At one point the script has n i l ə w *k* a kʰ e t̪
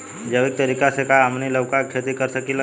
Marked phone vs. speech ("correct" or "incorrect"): correct